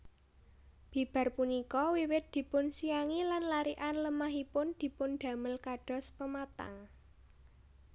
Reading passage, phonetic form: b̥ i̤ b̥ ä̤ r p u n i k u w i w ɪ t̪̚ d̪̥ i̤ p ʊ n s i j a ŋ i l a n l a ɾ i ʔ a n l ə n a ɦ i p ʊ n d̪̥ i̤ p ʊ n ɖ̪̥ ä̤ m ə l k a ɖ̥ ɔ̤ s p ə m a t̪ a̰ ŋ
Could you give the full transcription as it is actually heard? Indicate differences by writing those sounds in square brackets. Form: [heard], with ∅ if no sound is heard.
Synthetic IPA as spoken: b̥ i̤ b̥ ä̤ r p u n i k [ɔ] w i w ɪ t̪̚ d̪̥ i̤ p ʊ n s i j a ŋ i l a n l a ɾ i ʔ a n l ə [m] a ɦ i p ʊ n d̪̥ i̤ p ʊ n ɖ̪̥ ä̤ m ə l k a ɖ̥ ɔ̤ s p ə m a t̪ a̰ ŋ